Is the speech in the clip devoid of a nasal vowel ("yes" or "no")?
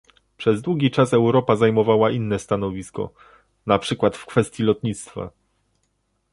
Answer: yes